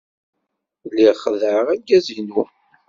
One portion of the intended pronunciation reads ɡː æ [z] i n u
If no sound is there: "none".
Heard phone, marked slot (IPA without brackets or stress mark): z